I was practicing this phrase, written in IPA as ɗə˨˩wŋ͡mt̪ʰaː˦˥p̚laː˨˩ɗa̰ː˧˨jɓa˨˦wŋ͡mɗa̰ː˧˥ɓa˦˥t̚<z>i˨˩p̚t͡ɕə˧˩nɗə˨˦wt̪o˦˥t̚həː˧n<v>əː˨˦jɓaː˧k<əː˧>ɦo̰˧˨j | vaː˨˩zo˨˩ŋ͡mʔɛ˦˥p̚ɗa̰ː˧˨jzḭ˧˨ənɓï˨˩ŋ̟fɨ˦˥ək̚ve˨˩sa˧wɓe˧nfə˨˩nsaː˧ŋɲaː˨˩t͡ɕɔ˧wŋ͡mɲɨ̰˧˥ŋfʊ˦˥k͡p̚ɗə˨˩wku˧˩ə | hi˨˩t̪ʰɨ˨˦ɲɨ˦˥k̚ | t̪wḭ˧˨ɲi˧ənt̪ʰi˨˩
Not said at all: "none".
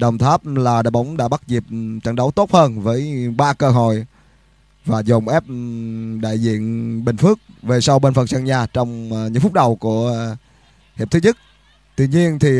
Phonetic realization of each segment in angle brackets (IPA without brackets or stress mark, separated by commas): z, v, əː˧